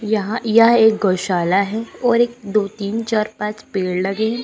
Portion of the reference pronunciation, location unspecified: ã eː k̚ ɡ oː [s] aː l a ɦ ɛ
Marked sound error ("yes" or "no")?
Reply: yes